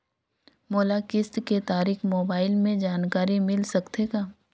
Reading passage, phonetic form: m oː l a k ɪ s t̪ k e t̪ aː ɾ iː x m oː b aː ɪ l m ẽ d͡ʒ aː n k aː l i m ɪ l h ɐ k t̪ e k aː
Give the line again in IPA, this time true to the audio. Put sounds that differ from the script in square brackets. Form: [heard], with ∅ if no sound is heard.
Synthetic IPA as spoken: m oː l a k ɪ s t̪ k e t̪ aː ɾ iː x m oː b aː ɪ l m ẽ d͡ʒ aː n k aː [ɾ] i m ɪ l [s] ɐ k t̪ e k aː